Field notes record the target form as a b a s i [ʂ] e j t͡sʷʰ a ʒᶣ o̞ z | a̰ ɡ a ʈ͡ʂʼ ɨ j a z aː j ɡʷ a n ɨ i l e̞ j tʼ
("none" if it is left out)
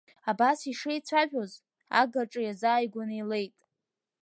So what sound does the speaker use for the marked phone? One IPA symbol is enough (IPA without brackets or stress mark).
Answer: ʂ